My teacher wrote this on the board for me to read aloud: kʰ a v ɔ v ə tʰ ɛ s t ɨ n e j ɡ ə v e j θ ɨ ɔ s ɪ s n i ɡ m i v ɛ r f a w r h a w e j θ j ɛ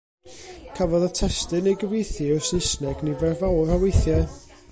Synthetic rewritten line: kʰ a v ɔ ð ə tʰ ɛ s t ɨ n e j ɡ ə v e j θ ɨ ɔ s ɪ s n ɛ ɡ n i v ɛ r v a w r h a w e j θ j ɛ